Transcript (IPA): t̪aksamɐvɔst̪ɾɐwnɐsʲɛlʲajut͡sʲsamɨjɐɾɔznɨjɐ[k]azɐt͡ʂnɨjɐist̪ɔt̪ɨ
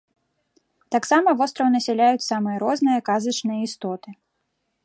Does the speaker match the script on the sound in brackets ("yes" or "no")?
yes